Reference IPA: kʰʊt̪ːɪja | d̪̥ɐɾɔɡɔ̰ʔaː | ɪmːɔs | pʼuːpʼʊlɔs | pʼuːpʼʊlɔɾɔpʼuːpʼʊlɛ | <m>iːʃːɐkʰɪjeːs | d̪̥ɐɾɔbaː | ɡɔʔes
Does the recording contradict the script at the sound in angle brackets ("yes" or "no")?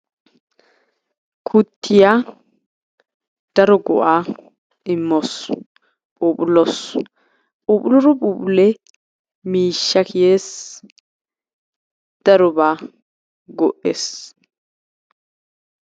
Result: no